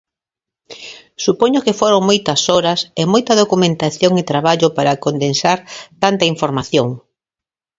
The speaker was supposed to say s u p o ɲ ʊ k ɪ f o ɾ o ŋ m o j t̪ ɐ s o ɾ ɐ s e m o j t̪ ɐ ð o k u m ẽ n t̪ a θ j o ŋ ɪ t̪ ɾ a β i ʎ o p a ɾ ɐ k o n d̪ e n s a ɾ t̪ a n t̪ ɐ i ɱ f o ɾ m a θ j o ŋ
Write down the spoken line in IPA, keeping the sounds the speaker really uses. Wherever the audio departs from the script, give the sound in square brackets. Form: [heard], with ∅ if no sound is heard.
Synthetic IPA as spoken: s u p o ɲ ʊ k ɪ f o ɾ o ŋ m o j t̪ ɐ s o ɾ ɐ s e m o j t̪ ɐ ð o k u m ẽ n t̪ a θ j o ŋ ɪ t̪ ɾ a β [a] ʎ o p a ɾ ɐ k o n d̪ e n s a ɾ t̪ a n t̪ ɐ i ɱ f o ɾ m a θ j o ŋ